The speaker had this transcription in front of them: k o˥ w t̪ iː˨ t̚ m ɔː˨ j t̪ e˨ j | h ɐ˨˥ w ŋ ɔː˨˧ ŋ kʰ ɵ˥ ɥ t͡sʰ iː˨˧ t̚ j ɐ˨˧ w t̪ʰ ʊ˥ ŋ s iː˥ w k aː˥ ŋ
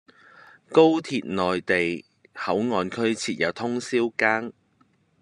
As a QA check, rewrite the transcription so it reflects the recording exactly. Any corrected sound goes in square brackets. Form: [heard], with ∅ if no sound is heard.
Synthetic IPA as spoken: k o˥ w [t̪ʰ] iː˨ t̚ [n] ɔː˨ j t̪ e˨ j | h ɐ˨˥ w ŋ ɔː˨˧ [n] kʰ ɵ˥ ɥ t͡sʰ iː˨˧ t̚ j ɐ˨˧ w t̪ʰ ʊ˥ ŋ s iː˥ w k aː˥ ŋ